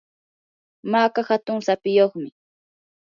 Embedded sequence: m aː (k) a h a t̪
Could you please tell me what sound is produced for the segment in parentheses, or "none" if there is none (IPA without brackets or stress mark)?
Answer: k